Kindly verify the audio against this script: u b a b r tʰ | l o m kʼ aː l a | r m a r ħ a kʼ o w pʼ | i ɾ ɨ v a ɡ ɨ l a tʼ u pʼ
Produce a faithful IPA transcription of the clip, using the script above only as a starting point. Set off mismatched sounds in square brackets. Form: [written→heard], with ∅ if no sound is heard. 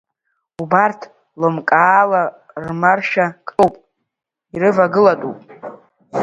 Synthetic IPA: u b a [b→∅] r tʰ | l o m kʼ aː l a | r m a r [ħ→ʃ] a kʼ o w pʼ | i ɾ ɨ v a ɡ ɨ l a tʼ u pʼ